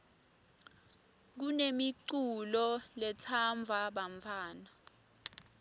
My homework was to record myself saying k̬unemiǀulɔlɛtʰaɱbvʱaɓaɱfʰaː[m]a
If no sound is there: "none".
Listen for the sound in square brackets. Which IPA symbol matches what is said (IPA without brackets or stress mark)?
n